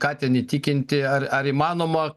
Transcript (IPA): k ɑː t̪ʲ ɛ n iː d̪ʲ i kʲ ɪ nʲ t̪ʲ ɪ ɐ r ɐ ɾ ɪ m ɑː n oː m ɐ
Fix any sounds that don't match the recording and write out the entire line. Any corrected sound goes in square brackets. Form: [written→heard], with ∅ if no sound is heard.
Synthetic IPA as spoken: k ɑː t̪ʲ ɛ n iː [d̪ʲ→t̪ʲ] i kʲ ɪ nʲ t̪ʲ ɪ ɐ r ɐ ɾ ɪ m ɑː n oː m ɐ